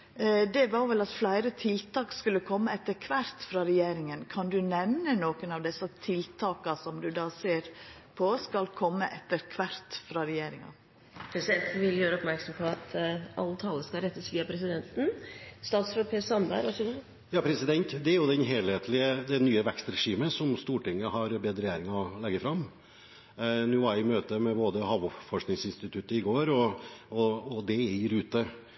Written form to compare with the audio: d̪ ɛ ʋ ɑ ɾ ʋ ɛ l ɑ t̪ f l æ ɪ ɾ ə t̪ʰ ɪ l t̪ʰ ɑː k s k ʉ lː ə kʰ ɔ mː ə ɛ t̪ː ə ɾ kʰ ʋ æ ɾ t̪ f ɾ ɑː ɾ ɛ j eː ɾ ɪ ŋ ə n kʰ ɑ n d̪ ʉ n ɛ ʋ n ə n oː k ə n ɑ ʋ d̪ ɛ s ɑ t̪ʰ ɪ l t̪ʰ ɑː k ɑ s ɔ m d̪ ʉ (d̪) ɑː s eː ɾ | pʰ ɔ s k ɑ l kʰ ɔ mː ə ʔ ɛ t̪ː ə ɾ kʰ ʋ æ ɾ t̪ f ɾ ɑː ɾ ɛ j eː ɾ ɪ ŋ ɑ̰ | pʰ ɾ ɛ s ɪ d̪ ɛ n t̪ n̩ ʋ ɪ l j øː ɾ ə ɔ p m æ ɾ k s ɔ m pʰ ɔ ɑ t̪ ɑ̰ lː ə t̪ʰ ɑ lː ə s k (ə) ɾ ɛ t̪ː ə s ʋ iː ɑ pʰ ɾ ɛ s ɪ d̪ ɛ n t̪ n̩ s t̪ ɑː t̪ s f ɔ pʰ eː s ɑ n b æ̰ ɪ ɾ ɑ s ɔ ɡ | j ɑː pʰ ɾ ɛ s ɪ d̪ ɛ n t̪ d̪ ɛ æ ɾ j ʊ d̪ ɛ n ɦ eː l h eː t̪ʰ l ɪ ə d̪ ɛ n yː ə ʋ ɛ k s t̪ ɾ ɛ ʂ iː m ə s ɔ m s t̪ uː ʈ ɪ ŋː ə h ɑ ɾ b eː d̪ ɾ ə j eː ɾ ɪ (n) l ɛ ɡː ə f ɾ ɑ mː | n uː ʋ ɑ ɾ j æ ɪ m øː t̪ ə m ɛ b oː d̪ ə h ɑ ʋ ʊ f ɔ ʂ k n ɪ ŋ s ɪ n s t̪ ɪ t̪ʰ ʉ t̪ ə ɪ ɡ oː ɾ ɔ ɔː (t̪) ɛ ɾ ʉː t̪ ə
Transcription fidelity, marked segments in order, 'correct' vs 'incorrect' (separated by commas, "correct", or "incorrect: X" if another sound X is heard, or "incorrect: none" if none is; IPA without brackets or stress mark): correct, incorrect: ɑ, incorrect: ŋ, incorrect: d̪